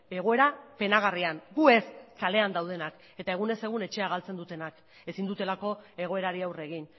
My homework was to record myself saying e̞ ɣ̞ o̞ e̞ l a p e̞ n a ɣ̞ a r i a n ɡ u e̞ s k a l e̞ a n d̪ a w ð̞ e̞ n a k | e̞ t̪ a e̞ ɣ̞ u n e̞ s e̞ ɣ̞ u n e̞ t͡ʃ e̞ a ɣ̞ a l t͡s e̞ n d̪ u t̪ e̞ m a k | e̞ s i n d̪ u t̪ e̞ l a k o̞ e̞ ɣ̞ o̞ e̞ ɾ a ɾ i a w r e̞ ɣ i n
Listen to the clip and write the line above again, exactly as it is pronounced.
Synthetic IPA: e̞ ɣ̞ o̞ e̞ ɾ a p e̞ n a ɣ̞ a r i a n ɡ u e̞ s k a l e̞ a n d̪ a w ð̞ e̞ n a k | e̞ t̪ a e̞ ɣ̞ u n e̞ s e̞ ɣ̞ u n e̞ t͡ʃ e̞ a ɣ̞ a l t͡s e̞ n d̪ u t̪ e̞ n a k | e̞ s i n d̪ u t̪ e̞ l a k o̞ e̞ ɣ̞ o̞ e̞ ɾ a ɾ i a w r e̞ ɣ i n